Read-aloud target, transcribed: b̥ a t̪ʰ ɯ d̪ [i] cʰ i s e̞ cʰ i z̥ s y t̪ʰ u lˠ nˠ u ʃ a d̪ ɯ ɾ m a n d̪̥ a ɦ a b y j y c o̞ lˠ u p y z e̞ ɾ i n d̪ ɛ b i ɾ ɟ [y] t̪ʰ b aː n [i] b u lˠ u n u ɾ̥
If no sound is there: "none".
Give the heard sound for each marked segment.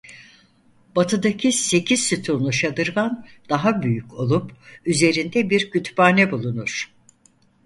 a, y, ɛ

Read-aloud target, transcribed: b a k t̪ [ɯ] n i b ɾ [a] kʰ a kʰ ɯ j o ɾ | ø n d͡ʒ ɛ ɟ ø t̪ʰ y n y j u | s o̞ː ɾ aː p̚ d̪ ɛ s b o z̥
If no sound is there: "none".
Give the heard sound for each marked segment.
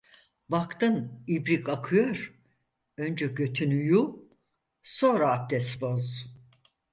ɯ, i

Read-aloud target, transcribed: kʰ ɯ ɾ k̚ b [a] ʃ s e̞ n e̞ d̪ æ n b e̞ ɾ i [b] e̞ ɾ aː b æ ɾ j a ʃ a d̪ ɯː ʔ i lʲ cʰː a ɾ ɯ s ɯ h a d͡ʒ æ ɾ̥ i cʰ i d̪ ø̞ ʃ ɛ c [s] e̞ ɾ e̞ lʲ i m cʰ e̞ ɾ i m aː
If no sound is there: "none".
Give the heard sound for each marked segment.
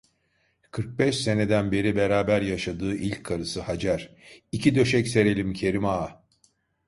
ɛ, b, s

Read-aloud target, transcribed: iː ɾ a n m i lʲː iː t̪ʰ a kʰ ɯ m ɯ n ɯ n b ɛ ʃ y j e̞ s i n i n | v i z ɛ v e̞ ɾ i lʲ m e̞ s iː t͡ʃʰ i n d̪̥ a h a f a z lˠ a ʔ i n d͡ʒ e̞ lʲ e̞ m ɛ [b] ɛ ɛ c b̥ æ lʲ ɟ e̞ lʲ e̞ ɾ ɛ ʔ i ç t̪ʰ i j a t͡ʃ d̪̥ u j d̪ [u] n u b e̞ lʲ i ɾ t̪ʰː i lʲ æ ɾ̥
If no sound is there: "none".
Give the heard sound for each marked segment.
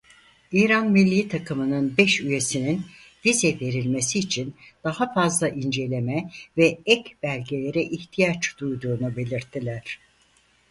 v, uː

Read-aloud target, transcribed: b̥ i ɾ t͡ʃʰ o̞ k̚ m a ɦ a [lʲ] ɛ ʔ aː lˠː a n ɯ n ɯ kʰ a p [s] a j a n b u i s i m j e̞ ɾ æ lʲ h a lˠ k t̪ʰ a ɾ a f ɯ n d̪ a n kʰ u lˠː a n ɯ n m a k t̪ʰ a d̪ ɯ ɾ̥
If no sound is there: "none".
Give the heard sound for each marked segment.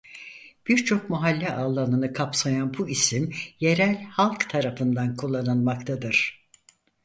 lʲː, s

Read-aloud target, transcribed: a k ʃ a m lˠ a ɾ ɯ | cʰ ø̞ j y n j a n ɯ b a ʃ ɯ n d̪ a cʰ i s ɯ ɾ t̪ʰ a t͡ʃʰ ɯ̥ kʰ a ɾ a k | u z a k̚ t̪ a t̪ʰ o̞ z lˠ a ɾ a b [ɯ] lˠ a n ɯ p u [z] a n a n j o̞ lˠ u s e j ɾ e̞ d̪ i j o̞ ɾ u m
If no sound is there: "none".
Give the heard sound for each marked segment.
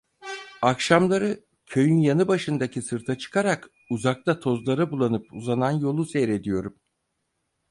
u, z

